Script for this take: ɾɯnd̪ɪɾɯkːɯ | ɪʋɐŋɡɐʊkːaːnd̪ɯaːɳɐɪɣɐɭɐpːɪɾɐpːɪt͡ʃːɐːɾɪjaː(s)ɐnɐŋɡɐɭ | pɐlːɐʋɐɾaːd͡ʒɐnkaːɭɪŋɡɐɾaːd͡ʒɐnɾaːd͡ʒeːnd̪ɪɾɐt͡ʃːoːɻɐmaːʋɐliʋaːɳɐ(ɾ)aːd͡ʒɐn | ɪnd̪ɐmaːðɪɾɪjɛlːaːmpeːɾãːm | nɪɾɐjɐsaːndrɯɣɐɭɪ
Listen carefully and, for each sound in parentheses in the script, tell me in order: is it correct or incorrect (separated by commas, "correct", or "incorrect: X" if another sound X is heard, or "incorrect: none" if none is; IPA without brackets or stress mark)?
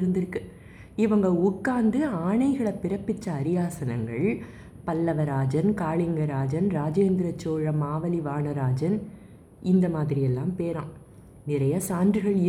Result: correct, correct